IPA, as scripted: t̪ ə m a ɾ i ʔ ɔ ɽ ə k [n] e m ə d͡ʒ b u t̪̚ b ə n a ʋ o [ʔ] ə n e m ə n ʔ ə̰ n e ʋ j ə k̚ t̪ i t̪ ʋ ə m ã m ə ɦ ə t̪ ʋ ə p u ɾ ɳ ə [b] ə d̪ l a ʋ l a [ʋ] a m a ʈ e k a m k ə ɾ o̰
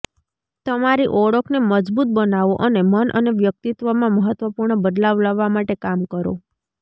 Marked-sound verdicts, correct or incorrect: correct, correct, correct, incorrect

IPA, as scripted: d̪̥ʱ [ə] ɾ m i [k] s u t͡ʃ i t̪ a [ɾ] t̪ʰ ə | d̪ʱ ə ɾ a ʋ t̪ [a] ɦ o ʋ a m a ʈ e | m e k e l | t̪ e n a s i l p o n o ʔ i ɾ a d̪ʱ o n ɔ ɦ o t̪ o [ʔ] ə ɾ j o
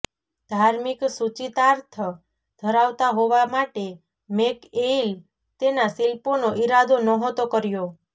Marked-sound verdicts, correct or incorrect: incorrect, correct, correct, correct, incorrect

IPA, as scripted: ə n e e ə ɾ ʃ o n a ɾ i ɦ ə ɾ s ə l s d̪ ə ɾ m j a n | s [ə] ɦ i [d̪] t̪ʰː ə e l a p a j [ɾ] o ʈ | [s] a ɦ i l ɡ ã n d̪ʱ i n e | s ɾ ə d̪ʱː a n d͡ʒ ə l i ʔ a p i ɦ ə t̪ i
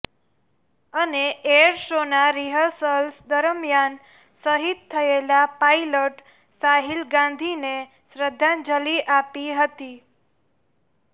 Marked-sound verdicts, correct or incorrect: correct, incorrect, incorrect, correct

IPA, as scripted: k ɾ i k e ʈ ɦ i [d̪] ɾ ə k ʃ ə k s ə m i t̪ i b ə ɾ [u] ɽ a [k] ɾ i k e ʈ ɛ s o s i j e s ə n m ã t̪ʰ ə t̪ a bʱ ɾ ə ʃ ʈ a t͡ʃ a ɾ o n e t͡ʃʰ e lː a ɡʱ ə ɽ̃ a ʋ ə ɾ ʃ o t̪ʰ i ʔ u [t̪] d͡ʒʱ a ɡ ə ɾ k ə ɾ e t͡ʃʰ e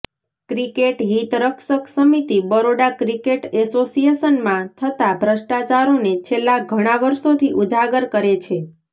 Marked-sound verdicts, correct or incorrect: incorrect, incorrect, correct, incorrect

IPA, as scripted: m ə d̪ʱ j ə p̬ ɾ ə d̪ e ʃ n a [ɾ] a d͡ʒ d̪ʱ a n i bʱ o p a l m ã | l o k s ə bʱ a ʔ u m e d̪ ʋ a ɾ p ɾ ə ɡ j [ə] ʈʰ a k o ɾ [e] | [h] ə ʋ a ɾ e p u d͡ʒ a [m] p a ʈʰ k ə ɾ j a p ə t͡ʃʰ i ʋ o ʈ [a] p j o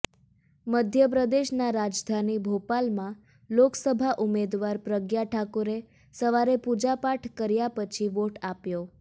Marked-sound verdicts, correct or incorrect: correct, incorrect, correct, incorrect, incorrect, correct

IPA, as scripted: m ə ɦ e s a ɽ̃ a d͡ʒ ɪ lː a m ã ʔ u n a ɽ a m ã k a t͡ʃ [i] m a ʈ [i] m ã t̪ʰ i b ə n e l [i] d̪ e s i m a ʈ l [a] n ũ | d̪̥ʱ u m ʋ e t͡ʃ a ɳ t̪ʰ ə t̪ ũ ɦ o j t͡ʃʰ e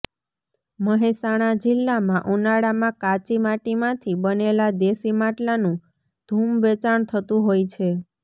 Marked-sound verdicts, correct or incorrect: correct, correct, incorrect, correct

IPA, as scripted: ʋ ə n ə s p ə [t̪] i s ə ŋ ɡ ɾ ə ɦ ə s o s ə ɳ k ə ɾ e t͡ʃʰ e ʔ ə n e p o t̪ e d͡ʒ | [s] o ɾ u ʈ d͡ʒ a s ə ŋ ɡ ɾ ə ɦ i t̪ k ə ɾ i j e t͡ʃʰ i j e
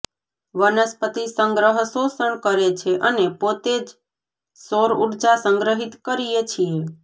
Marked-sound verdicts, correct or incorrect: correct, correct

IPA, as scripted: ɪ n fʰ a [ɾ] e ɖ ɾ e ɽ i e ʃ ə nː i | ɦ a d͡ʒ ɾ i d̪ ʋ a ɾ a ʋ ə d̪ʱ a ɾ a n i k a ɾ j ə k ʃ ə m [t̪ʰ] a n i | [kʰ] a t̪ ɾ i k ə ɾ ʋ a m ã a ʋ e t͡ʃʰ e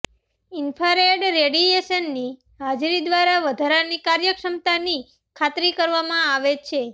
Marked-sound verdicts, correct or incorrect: correct, incorrect, correct

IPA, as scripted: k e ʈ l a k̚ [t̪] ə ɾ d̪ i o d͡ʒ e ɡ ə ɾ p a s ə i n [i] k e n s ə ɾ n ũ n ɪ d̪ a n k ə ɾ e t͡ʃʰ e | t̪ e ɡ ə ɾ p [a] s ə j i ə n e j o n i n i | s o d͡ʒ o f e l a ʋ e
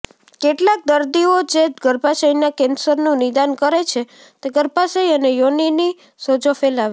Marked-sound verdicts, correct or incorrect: incorrect, incorrect, correct

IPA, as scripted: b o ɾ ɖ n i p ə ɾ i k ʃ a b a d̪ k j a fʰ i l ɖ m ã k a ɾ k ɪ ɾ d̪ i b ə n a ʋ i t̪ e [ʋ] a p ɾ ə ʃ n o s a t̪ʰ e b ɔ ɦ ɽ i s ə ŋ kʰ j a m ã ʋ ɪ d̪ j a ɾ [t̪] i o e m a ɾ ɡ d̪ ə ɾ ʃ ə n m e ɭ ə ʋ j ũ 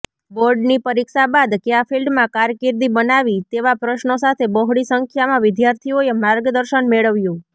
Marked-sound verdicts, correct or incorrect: correct, incorrect

